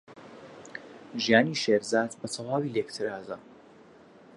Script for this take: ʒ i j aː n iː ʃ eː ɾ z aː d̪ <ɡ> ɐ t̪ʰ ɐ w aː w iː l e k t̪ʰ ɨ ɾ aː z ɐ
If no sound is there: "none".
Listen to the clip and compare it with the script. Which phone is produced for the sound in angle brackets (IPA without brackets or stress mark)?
b